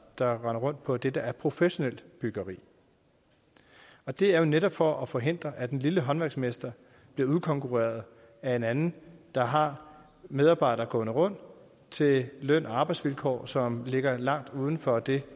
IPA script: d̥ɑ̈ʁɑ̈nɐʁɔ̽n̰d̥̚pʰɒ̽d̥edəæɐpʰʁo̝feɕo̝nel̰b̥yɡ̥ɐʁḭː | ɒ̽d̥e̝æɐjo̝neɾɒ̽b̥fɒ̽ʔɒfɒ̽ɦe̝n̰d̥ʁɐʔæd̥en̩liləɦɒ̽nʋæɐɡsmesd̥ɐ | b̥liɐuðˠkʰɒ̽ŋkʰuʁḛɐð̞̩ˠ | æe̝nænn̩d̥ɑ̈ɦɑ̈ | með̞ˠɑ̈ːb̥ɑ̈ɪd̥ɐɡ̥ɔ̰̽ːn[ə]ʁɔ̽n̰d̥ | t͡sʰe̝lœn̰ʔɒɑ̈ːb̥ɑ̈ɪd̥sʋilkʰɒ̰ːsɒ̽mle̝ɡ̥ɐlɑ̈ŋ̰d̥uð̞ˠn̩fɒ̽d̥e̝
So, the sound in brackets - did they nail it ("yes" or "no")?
yes